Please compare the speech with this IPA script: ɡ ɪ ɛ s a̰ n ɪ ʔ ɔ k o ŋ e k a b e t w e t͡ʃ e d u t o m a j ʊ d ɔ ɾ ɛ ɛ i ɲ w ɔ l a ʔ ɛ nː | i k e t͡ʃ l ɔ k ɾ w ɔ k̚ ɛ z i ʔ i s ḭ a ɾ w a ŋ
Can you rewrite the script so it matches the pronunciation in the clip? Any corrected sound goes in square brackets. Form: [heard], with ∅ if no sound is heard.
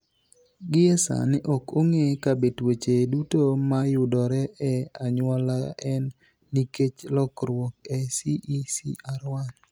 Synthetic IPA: ɡ ɪ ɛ s a̰ n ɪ ʔ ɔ k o ŋ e k a b e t w e t͡ʃ e d u t o m a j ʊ d ɔ ɾ ɛ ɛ [a] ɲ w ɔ l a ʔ ɛ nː | i k e t͡ʃ l ɔ k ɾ w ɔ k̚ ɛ [s] i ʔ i s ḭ a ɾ w a [n]